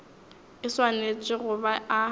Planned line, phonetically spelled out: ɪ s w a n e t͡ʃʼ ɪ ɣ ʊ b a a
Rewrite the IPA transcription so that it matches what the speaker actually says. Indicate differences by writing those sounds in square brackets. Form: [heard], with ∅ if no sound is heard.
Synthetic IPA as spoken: ɪ s w a n e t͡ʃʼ ɪ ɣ ʊ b a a